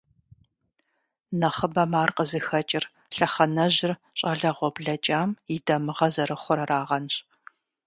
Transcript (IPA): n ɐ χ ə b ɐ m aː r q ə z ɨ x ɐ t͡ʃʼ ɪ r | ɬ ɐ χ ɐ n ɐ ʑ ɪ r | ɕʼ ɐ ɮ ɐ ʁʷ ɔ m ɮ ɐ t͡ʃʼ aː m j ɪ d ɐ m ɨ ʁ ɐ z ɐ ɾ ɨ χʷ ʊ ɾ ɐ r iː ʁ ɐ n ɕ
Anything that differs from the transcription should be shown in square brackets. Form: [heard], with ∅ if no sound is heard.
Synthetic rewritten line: n ɐ χ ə b ɐ m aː r q ə z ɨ x ɐ t͡ʃʼ ɪ r | ɬ ɐ χ ɐ n ɐ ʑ ɪ r | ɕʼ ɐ ɮ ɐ ʁʷ ɔ [b] ɮ ɐ t͡ʃʼ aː m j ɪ d ɐ m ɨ ʁ ɐ z ɐ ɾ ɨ χʷ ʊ ɾ ɐ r [aː] ʁ ɐ n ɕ

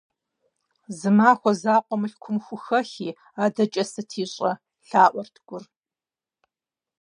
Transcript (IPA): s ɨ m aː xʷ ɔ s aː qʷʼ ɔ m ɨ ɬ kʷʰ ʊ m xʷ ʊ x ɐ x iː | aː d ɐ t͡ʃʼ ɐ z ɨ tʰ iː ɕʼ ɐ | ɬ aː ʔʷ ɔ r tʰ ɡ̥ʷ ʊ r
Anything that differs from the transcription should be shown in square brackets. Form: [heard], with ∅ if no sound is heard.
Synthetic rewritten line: [z] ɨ m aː xʷ ɔ [z] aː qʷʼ ɔ m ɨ ɬ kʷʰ ʊ m xʷ ʊ x ɐ x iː | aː d ɐ t͡ʃʼ ɐ [s] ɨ tʰ iː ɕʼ ɐ | ɬ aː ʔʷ ɔ r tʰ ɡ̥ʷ ʊ r

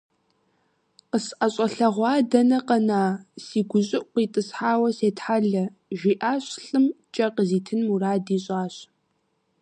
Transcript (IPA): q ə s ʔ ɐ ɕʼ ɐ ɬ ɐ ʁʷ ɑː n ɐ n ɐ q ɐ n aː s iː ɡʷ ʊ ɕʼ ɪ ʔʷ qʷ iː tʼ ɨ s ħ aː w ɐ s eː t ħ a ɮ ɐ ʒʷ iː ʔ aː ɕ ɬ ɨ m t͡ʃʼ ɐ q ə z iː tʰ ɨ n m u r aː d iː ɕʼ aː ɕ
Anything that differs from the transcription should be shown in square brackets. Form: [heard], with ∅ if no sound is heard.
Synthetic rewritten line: q ə s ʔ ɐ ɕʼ ɐ ɬ ɐ ʁʷ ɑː [d] ɐ n ɐ q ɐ n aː s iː ɡʷ ʊ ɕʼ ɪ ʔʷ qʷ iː tʼ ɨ s ħ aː w ɐ s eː t ħ a ɮ ɐ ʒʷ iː ʔ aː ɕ ɬ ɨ m t͡ʃʼ ɐ q ə z iː tʰ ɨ n m u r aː d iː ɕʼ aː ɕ

